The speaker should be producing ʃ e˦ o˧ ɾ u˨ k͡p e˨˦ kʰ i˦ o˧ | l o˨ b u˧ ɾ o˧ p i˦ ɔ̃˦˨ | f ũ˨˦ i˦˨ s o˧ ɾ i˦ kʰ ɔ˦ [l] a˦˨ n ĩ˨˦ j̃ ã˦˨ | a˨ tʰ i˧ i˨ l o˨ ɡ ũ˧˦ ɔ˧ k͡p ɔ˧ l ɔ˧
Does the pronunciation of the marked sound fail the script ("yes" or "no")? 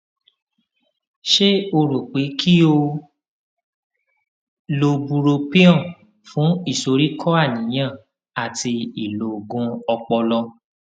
yes